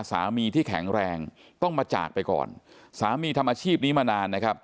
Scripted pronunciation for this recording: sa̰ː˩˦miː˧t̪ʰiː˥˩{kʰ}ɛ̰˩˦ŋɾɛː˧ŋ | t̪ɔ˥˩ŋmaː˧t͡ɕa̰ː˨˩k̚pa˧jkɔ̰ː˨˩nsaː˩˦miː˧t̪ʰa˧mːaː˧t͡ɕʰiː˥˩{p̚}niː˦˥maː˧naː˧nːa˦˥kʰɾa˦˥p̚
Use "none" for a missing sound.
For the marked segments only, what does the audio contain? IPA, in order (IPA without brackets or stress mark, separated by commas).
kʰ, p̚